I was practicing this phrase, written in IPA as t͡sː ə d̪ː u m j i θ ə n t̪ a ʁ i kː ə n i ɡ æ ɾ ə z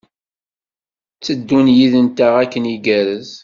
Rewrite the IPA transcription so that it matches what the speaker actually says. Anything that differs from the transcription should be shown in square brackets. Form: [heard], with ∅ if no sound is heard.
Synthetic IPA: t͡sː ə d̪ː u [n] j i [ð] ə n t̪ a ʁ [æ] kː ə n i ɡ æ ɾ ə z